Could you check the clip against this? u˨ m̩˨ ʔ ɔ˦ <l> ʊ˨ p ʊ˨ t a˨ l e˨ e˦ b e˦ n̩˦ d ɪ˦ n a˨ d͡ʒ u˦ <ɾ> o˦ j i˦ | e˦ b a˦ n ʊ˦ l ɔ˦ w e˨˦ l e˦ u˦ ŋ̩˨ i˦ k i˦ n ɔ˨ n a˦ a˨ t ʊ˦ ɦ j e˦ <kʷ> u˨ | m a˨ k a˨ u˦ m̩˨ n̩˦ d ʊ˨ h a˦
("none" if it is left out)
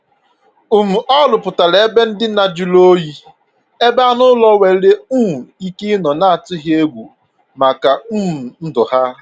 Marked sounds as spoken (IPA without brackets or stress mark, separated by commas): l, l, ɡʷ